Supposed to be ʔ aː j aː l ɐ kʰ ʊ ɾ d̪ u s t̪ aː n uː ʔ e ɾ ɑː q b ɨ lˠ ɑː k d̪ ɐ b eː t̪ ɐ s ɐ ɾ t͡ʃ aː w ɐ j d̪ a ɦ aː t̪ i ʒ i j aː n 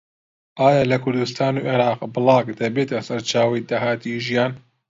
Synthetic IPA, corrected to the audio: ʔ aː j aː l ɐ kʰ ʊ ɾ d̪ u s t̪ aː n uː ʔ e ɾ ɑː q b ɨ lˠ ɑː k d̪ ɐ b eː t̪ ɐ s ɐ ɾ t͡ʃ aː w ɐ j d̪ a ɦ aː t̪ i ʒ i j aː n